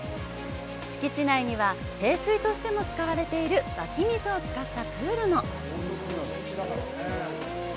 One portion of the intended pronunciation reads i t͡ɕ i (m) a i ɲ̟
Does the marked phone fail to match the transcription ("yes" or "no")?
yes